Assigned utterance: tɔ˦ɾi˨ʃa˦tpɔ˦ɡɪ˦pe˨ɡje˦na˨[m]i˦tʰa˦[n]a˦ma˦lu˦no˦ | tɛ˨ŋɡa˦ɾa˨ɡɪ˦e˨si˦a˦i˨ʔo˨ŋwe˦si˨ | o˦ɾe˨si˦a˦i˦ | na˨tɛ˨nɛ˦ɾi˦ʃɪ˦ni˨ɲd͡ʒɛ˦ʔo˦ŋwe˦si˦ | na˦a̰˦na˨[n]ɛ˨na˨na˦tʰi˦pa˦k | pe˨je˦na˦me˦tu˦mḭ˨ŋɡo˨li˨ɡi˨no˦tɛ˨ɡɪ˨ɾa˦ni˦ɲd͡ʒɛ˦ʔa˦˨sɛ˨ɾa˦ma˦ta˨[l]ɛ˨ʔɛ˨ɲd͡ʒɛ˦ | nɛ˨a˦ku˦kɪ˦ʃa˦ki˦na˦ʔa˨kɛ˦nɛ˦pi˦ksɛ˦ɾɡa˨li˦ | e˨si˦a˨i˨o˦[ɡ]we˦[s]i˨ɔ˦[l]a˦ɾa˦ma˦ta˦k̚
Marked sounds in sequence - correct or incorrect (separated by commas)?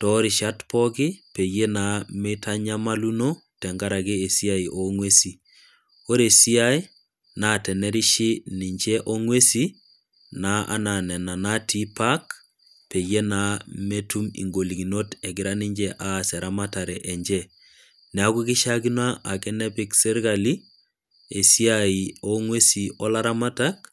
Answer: correct, incorrect, correct, incorrect, incorrect, correct, correct